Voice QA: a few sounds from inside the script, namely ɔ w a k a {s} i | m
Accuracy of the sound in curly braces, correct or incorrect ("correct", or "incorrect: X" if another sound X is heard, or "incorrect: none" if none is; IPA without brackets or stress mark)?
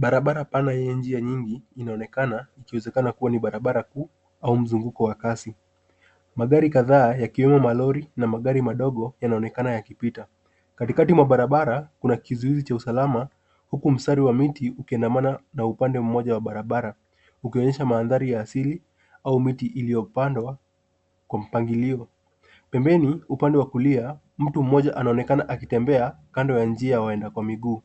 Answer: correct